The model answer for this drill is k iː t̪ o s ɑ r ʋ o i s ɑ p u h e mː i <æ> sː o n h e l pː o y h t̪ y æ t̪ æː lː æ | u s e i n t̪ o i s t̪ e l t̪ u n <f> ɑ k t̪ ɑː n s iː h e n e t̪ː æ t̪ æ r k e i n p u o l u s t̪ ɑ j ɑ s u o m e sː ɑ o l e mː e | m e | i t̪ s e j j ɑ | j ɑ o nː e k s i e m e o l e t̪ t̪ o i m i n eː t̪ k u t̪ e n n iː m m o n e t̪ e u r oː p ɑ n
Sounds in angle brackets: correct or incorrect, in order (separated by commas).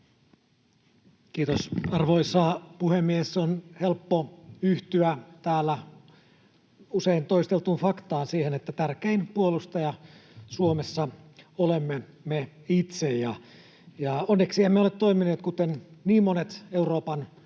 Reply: incorrect, correct